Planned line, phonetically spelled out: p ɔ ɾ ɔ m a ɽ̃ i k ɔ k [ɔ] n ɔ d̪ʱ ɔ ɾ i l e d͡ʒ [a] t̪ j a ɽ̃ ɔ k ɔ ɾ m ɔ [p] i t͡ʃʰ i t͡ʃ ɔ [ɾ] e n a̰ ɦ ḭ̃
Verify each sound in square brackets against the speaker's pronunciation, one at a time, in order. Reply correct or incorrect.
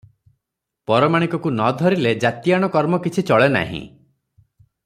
incorrect: u, correct, incorrect: k, incorrect: ɭ

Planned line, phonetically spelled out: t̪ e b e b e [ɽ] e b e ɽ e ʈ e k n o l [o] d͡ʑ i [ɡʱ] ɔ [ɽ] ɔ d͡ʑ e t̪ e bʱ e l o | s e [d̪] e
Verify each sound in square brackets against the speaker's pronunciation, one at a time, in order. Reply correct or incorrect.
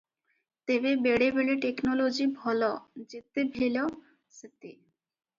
correct, correct, incorrect: bʱ, incorrect: l, incorrect: t̪

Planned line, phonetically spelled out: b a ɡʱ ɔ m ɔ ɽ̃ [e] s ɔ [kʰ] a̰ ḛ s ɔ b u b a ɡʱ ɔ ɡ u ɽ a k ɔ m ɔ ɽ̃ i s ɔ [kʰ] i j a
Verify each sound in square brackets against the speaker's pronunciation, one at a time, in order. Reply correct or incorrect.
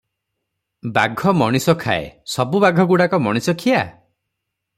incorrect: i, correct, correct

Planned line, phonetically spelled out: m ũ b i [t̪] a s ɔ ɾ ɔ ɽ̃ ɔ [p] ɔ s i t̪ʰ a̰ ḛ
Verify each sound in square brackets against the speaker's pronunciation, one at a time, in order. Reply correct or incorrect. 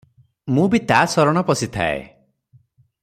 correct, correct

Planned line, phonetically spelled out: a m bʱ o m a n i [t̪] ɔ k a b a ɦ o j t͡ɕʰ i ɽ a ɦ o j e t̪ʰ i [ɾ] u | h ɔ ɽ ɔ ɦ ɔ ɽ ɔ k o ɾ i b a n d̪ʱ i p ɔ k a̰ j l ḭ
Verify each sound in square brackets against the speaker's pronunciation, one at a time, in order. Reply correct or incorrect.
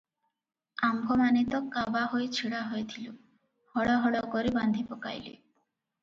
correct, incorrect: l

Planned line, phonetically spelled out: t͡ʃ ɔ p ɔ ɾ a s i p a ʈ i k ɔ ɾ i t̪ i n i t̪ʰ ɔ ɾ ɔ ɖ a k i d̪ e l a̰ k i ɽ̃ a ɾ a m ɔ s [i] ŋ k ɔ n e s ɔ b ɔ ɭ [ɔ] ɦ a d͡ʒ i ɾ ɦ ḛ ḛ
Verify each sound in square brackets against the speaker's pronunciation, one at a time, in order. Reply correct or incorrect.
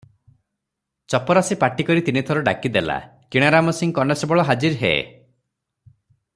correct, correct

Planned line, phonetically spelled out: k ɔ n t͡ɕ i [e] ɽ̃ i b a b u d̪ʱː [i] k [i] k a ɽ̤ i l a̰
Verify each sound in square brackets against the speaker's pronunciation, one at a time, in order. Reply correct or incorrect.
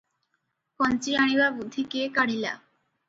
incorrect: a, correct, incorrect: e

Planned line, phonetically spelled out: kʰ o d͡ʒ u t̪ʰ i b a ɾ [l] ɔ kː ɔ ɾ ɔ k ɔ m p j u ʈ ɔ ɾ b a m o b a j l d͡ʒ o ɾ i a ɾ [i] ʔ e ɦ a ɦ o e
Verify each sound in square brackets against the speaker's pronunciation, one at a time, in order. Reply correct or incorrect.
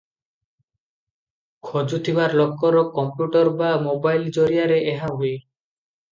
correct, incorrect: e

